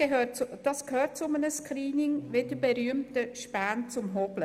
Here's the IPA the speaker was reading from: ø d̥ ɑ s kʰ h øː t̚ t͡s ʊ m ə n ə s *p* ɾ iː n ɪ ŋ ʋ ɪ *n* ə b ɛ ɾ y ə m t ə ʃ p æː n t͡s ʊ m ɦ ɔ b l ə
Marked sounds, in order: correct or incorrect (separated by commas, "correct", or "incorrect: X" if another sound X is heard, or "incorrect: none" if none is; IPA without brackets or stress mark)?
incorrect: k, incorrect: d